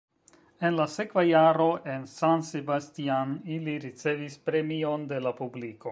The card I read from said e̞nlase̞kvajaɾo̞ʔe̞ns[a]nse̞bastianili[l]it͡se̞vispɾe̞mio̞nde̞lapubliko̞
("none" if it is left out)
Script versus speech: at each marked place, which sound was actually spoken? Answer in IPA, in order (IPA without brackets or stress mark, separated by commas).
a, ɾ